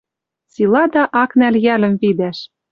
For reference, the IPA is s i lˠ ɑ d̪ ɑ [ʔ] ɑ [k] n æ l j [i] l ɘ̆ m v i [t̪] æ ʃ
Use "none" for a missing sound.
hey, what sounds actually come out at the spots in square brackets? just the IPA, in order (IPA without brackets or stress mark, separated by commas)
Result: ʔ, k, æ, d̪